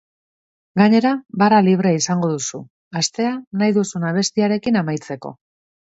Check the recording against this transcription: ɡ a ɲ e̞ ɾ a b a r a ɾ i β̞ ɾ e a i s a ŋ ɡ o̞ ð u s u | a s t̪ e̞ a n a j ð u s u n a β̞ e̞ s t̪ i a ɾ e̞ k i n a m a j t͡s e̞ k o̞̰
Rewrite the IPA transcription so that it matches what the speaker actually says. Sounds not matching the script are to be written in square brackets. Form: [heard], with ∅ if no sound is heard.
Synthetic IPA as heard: ɡ a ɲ e̞ ɾ a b a r a [l] i β̞ ɾ e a i s a ŋ ɡ o̞ ð u s u | a s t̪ e̞ a n a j ð u s u n a β̞ e̞ s t̪ i a ɾ e̞ k i n a m a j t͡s e̞ k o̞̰